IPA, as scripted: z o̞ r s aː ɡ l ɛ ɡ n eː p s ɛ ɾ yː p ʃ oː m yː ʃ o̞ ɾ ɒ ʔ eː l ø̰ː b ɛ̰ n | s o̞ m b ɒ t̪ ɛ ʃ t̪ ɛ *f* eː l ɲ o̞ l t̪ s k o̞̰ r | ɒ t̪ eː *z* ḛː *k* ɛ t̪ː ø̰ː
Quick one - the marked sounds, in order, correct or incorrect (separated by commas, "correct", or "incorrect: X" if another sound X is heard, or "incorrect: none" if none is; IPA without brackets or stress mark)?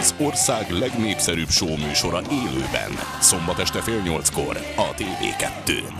correct, incorrect: v, correct